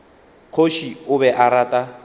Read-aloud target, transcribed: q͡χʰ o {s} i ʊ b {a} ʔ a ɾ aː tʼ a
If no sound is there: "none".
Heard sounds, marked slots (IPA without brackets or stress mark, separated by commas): ʃ, ɛ